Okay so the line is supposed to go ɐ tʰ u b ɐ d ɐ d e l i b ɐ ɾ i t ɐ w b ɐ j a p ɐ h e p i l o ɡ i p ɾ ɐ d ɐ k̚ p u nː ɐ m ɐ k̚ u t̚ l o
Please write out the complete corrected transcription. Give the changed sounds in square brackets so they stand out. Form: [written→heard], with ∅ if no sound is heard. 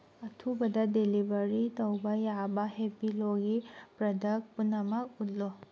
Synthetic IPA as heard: ɐ tʰ u b ɐ d ɐ d e l i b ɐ ɾ i t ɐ w b ɐ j a [p→b] ɐ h e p i l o ɡ i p ɾ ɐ d ɐ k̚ p u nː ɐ m ɐ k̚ u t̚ l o